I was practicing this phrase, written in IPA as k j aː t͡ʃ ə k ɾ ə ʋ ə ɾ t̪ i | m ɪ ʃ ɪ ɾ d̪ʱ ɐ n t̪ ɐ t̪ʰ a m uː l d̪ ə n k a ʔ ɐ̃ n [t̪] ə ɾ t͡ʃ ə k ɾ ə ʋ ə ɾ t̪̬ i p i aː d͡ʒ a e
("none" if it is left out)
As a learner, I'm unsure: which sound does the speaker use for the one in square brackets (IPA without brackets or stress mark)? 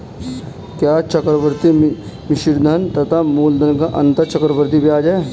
t̪